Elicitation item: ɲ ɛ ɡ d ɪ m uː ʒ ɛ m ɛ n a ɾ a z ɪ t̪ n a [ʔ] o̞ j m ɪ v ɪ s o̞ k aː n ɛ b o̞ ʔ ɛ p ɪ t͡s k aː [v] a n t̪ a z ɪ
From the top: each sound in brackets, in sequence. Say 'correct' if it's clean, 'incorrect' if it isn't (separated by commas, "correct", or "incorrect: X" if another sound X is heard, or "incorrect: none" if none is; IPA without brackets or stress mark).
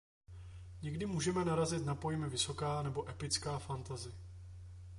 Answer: incorrect: p, incorrect: f